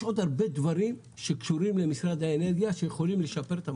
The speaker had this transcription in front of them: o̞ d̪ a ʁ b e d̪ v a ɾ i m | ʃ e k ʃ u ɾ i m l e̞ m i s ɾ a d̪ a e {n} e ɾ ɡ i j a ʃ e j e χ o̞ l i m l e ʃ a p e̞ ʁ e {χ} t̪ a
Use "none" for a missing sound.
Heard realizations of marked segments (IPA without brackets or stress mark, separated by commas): n, none